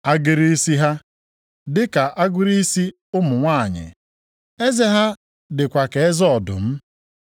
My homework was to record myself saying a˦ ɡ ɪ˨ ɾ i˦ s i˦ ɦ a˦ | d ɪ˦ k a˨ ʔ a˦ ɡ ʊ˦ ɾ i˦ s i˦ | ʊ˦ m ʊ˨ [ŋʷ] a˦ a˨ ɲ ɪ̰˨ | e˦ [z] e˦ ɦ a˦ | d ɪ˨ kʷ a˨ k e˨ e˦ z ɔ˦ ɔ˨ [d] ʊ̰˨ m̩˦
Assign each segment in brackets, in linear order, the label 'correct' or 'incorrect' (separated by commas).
correct, correct, correct